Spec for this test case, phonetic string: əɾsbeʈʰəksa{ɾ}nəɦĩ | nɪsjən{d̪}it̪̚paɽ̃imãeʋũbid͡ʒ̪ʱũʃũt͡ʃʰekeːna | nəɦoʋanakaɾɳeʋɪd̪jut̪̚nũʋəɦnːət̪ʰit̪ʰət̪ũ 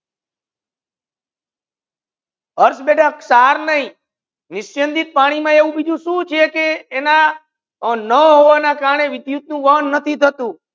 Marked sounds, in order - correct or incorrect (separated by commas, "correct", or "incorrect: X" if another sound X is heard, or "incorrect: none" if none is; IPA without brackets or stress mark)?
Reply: correct, correct